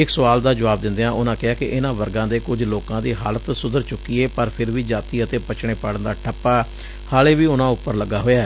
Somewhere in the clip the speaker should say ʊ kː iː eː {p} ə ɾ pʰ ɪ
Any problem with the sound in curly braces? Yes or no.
no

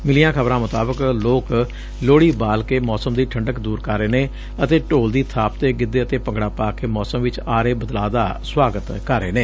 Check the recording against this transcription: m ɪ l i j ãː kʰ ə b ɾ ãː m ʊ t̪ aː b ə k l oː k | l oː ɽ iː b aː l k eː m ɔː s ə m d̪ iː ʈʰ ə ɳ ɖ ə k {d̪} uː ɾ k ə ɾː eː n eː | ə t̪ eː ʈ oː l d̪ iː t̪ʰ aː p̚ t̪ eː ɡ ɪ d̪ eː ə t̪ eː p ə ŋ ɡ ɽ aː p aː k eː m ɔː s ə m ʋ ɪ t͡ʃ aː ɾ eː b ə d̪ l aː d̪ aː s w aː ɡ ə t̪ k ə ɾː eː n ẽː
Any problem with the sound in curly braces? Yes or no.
no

